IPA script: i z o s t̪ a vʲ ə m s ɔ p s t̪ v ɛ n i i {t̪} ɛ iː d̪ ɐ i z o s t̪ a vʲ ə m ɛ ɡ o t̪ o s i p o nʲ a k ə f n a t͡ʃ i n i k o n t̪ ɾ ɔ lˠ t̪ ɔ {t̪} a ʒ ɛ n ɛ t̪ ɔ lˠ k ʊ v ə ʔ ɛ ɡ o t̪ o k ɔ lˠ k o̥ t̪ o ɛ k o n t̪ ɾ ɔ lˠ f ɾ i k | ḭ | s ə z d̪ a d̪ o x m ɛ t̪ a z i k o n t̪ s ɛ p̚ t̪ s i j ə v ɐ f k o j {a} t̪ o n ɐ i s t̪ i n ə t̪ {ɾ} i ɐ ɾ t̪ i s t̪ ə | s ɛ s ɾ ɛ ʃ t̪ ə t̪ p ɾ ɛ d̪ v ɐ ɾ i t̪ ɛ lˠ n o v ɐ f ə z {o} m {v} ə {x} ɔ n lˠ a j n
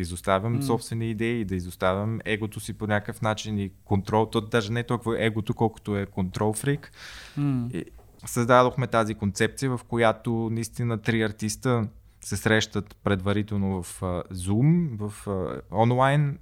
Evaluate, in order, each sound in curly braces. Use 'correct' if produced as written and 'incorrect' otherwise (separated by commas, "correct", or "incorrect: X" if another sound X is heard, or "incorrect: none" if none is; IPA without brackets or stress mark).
incorrect: d̪, incorrect: d̪, correct, correct, incorrect: u, correct, incorrect: f